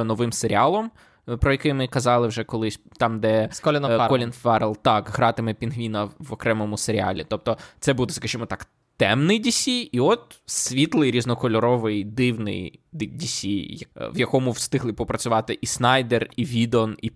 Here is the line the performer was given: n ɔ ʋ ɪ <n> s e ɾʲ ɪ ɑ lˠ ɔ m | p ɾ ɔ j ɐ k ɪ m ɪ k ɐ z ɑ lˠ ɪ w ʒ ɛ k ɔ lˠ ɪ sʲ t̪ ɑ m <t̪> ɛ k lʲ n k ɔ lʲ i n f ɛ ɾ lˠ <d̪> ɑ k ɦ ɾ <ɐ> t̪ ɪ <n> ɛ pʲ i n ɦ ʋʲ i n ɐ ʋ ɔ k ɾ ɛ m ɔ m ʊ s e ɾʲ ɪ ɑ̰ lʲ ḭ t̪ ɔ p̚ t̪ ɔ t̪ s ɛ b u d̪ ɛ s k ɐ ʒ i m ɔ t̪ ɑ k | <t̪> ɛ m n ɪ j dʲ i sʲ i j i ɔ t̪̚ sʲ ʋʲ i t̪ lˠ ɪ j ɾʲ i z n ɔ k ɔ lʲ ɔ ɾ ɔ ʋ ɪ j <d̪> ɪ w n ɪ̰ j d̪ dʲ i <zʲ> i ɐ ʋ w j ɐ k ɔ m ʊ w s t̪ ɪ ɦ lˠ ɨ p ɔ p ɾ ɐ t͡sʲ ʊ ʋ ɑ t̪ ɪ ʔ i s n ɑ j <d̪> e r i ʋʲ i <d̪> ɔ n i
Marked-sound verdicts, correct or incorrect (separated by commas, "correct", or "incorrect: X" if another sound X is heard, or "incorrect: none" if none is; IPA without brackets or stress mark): incorrect: m, incorrect: d̪, incorrect: t̪, incorrect: ɑ, incorrect: m, correct, correct, incorrect: sʲ, correct, correct